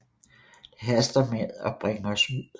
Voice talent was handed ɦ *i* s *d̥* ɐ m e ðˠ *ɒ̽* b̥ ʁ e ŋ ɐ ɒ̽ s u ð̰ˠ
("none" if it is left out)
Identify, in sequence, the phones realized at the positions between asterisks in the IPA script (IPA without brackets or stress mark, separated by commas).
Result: æ, d̥, ɒ̽